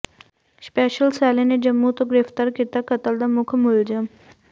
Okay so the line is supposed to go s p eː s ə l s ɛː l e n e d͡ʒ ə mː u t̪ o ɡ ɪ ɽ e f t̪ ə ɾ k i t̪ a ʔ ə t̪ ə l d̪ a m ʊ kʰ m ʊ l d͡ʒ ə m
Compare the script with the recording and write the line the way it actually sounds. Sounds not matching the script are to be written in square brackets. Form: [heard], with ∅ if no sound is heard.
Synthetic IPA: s p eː [ʃ] ə l s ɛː l e n e d͡ʒ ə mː u t̪ o ɡ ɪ [ɾ] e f t̪ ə ɾ k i t̪ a [k] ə t̪ ə l d̪ a m ʊ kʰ m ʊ l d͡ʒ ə m